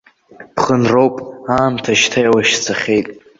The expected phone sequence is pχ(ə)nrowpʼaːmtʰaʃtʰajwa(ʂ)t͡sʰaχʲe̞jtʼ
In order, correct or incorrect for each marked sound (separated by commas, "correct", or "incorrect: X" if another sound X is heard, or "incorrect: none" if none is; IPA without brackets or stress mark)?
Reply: correct, incorrect: ʃ